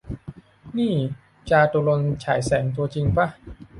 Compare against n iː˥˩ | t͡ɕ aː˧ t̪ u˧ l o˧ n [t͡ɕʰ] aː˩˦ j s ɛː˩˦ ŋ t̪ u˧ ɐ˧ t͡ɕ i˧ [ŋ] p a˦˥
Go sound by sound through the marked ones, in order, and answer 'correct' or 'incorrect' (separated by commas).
correct, correct